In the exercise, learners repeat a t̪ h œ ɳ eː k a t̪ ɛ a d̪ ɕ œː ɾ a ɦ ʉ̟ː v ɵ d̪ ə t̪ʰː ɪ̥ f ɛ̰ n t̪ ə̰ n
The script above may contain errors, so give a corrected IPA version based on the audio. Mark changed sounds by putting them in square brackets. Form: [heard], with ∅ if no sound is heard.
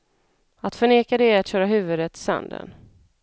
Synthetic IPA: a t̪ [f] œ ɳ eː k a [d̪] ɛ a [t̪] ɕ œː ɾ a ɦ ʉ̟ː v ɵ d̪ ə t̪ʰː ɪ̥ [s] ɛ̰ n [d̪] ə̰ n